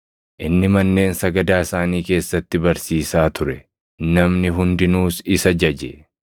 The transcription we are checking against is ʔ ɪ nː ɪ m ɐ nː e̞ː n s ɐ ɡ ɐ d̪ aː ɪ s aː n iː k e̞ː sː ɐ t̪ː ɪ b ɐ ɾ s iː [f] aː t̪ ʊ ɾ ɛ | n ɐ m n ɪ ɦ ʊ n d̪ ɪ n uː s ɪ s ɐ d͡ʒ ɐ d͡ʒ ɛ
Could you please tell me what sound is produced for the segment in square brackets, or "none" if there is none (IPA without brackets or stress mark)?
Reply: s